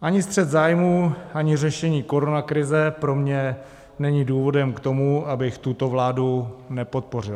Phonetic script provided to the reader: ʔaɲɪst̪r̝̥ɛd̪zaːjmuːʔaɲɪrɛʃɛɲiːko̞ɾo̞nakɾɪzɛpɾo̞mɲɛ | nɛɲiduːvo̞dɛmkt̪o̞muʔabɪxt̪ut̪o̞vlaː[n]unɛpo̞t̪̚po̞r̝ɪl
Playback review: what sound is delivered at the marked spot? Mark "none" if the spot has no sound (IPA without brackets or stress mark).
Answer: d